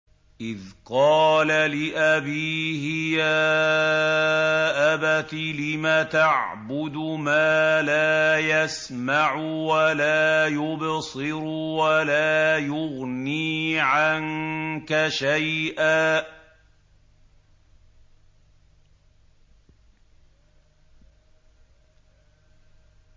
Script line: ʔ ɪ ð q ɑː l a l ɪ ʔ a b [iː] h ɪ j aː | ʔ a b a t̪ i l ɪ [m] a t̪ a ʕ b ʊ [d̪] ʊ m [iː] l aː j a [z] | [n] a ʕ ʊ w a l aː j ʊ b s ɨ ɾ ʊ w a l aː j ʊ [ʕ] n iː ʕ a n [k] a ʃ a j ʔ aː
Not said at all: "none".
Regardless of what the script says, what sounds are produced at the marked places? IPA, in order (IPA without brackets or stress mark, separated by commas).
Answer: iː, m, d̪, aː, s, m, ɣ, k